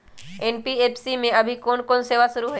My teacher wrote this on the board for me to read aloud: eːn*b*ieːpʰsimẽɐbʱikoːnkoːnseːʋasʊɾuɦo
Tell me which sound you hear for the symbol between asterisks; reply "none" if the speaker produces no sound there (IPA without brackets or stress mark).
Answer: p